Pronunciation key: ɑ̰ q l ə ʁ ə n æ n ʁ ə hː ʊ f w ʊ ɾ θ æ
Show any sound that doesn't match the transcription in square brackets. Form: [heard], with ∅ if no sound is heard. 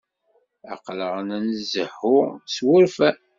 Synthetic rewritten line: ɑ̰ q l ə ʁ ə n æ n [z] ə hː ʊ [s] w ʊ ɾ [f] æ

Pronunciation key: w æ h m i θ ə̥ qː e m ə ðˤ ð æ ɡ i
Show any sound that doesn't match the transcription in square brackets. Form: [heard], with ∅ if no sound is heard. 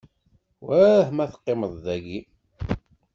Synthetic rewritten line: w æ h m [æ] θ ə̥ qː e m ə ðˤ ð æ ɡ i

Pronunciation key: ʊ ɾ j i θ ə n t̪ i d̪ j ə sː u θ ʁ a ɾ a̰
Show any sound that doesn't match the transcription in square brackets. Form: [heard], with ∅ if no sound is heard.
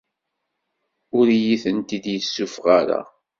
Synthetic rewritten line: ʊ ɾ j i θ ə n t̪ i d̪ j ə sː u [f] ʁ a ɾ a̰

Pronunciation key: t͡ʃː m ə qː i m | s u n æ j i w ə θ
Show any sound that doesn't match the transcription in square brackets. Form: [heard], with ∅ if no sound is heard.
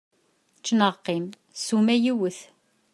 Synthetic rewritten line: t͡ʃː [n] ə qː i m | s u [m] æ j i w ə θ

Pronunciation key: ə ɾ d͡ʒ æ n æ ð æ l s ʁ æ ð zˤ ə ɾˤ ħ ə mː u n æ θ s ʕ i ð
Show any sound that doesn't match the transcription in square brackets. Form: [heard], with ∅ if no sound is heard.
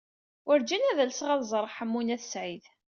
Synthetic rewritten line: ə ɾ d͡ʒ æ n æ ð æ l s ʁ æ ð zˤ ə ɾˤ ħ ə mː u n æ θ s ʕ i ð

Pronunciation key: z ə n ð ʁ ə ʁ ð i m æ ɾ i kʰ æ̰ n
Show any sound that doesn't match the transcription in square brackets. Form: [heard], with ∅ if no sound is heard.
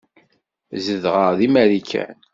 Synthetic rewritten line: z ə [∅] ð ʁ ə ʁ ð i m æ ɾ i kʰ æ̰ n

